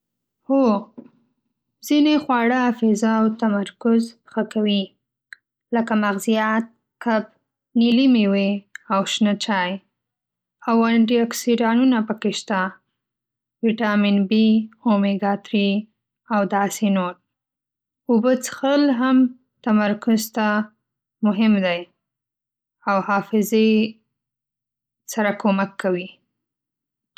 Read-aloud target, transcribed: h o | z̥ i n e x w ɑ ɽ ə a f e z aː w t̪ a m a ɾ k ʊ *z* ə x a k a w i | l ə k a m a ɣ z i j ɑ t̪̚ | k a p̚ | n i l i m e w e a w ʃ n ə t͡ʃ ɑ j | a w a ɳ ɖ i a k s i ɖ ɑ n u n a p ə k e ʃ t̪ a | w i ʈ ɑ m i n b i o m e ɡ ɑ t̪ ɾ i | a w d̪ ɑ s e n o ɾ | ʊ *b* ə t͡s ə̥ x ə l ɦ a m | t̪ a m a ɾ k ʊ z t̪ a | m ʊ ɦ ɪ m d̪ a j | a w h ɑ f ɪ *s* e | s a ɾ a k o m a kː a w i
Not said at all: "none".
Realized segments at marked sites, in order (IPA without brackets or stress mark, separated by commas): z, b, z